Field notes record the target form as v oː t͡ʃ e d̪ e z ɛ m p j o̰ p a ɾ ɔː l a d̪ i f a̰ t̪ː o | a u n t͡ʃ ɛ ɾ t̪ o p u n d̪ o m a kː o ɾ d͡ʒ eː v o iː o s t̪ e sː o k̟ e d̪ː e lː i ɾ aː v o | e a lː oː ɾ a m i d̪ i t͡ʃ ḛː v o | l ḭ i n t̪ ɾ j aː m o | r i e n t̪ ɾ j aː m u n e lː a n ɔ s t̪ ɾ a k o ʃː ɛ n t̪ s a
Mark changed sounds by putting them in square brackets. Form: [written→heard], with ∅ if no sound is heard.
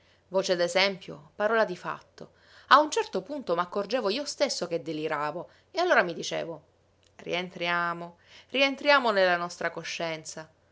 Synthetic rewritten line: v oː t͡ʃ e d̪ e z ɛ m p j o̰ p a ɾ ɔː l a d̪ i f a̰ t̪ː o | a u n t͡ʃ ɛ [ɾ→r] t̪ o p u n [d̪→t̪] o m a kː o [ɾ→r] d͡ʒ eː v o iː o s t̪ e sː o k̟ e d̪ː e [lː→l] i ɾ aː v o | e a lː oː ɾ a m i d̪ i t͡ʃ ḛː v o | [l→r] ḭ [i→e] n t̪ ɾ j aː m o | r i e n t̪ ɾ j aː m [u→o] n e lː a n ɔ s t̪ ɾ a k o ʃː ɛ n t̪ s a